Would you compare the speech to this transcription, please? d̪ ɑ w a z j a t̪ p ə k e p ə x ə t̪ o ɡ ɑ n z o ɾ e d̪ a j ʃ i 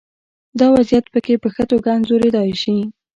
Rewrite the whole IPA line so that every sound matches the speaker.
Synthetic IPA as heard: d̪ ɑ w a z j a t̪ p ə k e p ə x ə t̪ o ɡ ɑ n z o ɾ e d̪ ɑ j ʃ i